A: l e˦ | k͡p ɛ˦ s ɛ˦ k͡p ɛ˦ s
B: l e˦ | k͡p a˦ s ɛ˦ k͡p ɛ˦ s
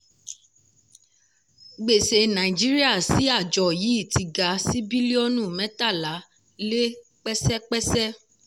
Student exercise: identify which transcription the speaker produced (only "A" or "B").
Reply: A